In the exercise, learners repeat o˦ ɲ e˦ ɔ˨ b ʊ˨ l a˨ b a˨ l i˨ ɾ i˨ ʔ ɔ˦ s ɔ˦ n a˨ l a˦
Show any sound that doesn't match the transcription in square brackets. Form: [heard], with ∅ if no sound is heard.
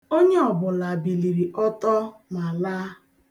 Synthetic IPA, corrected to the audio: o˦ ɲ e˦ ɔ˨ b ʊ˨ l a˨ b [i˨] l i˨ ɾ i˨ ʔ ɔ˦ [t] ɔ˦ [m] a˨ l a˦